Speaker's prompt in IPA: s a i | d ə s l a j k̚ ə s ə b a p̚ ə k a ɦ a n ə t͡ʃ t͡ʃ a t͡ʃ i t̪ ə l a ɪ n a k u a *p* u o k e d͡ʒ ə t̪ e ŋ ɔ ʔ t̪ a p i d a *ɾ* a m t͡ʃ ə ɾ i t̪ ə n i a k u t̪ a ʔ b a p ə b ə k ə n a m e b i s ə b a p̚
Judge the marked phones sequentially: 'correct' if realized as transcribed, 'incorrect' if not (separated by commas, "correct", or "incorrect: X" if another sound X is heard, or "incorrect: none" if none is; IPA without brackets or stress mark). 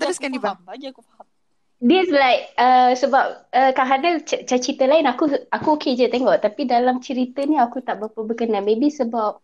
incorrect: k, incorrect: l